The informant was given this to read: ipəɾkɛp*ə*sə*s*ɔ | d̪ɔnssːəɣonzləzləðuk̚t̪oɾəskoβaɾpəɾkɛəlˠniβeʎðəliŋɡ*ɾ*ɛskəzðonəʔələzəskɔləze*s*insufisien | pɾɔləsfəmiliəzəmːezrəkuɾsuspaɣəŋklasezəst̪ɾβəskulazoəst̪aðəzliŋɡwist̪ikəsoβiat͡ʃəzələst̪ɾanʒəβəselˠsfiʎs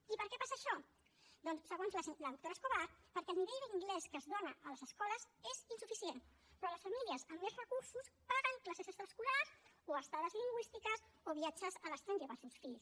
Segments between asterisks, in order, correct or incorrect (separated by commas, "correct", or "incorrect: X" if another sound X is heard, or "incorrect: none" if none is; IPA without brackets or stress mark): incorrect: a, incorrect: ʃ, incorrect: l, incorrect: z